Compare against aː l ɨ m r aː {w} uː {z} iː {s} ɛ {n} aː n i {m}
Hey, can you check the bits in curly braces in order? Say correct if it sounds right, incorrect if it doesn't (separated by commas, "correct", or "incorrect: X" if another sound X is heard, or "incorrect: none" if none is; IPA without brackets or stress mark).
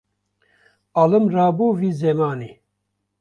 incorrect: b, incorrect: v, incorrect: z, incorrect: m, incorrect: none